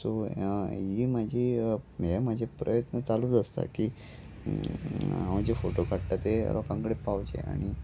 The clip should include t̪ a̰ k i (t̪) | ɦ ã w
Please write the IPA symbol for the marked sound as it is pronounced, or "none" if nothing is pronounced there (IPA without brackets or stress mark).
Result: none